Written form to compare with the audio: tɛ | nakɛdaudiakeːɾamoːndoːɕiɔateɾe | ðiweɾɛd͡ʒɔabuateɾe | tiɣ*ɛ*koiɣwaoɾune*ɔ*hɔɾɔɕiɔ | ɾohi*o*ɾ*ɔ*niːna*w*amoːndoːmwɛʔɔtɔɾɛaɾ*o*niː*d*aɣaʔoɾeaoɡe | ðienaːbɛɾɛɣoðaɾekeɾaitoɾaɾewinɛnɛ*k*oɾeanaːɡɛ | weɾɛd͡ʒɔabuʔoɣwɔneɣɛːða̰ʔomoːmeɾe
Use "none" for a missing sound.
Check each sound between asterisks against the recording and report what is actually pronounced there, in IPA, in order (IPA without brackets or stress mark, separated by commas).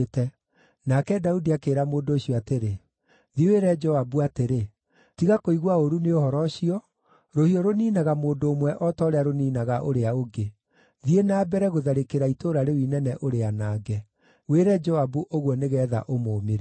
a, o, ɔ, o, ɣ, o, n, ʔ